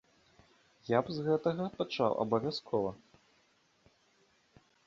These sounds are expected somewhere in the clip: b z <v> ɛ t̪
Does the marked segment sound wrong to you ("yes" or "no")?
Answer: yes